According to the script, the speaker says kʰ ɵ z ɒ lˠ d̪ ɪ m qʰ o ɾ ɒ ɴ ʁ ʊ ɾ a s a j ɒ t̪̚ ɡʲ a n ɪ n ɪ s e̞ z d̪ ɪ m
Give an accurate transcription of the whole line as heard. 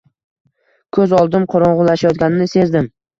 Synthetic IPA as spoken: kʰ ɵ z ɒ lˠ d̪ ɪ m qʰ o ɾ ɒ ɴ ʁ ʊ l a ʃ a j ɒ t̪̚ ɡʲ a n ɪ n ɪ s e̞ z d̪ ɪ m

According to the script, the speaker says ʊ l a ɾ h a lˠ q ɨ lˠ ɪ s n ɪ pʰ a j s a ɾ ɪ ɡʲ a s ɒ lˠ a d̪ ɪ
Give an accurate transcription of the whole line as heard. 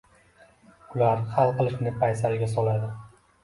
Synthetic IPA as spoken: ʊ l a ɾ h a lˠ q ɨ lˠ ɪ ʃ n ɪ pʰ a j s a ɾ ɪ ɡʲ a s ɒ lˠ a d̪ ɪ

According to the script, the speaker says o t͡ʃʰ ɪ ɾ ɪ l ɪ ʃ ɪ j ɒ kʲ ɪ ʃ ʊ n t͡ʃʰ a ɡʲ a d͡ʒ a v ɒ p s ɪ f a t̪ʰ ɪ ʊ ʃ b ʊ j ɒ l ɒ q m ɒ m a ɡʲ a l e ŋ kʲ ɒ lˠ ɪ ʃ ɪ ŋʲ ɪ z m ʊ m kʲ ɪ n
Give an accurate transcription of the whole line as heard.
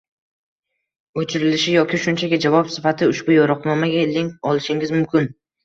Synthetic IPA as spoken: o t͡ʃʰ ɪ ɾ ɪ l ɪ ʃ ɪ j ɒ kʲ ɪ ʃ ʊ n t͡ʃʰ a ɡʲ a d͡ʒ a v ɒ p s ɪ f a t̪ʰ ɪ ʊ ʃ b ʊ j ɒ ɾ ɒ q n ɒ m a ɡʲ a l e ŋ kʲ ɒ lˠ ɪ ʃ ɪ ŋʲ ɪ z m ʊ m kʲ ɪ n

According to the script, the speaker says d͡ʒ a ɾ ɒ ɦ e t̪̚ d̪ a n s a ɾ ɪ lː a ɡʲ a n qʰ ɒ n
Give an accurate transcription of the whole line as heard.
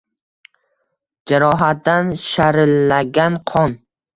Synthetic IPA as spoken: d͡ʒ a ɾ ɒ ɦ a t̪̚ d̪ a n ʃ a ɾ ɪ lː a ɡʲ a n qʰ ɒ n

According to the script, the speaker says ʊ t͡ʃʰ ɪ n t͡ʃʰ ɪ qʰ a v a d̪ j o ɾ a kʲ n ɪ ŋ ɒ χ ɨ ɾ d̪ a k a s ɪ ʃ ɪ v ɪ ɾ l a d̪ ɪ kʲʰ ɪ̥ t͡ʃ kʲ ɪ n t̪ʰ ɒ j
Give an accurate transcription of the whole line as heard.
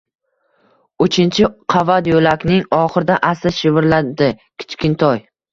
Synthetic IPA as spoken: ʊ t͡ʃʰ ɪ n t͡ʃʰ ɪ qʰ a v a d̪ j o l a kʲ n ɪ ŋ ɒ χ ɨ ɾ d̪ a ʔ a s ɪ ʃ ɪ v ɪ ɾ l a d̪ ɪ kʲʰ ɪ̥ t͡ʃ kʲ ɪ n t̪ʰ ɒ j

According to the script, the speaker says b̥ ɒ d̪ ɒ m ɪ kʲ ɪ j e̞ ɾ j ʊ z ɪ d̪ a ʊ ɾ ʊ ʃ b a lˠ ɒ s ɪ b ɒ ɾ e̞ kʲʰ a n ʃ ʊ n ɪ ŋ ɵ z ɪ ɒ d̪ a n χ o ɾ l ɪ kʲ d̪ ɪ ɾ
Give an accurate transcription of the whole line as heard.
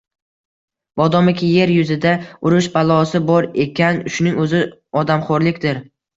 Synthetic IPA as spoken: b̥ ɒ d̪ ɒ m ɪ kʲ ɪ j e̞ ɾ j ʊ z ɪ d̪ a ʊ ɾ ʊ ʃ b a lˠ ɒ s ɪ b ɒ ɾ e̞ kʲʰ a n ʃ ʊ n ɪ ŋ ɵ z ɪ ɒ d̪ a m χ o ɾ l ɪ kʲ d̪ ɪ ɾ

